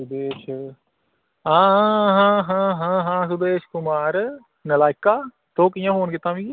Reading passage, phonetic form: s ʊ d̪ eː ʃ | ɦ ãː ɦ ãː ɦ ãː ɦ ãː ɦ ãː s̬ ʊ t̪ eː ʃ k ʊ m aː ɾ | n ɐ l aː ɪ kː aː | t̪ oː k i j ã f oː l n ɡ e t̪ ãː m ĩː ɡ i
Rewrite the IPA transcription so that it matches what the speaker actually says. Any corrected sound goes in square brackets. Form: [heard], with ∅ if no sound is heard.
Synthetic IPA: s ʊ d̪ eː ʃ | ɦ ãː ɦ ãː ɦ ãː ɦ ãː ɦ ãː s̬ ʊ [d̪] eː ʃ k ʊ m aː ɾ | n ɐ l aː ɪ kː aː | t̪ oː k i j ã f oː [∅] n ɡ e t̪ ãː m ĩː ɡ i